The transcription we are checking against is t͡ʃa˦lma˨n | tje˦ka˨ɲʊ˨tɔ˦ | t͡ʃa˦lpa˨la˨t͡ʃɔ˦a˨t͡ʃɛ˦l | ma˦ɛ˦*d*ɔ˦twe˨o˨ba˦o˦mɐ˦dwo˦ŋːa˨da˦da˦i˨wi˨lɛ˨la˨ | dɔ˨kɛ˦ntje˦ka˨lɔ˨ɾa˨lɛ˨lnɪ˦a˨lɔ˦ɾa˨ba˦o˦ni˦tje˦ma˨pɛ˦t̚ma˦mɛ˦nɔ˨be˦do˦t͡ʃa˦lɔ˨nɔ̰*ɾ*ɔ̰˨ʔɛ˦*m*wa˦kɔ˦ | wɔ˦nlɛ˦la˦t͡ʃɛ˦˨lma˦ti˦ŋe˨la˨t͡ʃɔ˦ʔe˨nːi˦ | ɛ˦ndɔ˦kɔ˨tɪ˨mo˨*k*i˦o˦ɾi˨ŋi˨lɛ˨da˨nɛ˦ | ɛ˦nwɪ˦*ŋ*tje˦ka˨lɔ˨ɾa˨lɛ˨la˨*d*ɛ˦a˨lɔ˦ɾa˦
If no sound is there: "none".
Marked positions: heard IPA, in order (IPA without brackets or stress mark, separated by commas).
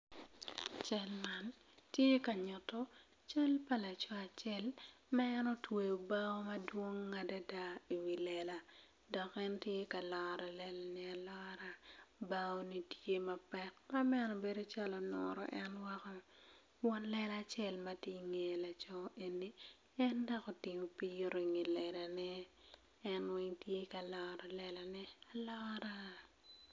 n, ɾ, n, p, ŋ, n